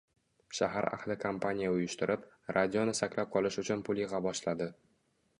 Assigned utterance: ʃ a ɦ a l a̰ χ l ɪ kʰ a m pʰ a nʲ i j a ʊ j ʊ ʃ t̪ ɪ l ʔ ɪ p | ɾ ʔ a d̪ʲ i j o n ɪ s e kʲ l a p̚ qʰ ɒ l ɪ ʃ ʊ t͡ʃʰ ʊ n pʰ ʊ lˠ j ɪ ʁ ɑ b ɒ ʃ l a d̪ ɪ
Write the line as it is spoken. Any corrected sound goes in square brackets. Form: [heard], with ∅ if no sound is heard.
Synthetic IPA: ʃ a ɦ a [ɾ] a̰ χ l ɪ kʰ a m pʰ a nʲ i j a ʊ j ʊ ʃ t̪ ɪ [ɾ] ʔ ɪ p | ɾ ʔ a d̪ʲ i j o n ɪ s [a] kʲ l a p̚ qʰ ɒ l ɪ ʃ ʊ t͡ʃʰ ʊ n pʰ ʊ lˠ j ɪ ʁ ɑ b ɒ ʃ l a d̪ ɪ